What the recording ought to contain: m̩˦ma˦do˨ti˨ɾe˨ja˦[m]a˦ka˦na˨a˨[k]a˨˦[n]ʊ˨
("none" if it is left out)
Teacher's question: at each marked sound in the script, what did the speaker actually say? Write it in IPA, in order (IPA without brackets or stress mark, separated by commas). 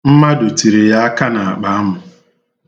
none, k͡p, m